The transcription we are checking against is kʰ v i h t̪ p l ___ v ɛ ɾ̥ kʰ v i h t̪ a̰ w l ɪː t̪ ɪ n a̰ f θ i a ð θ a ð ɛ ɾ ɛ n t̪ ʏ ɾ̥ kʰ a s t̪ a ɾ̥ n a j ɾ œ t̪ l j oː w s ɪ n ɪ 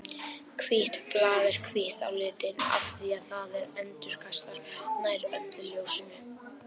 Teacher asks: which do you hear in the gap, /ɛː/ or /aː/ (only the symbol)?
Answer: aː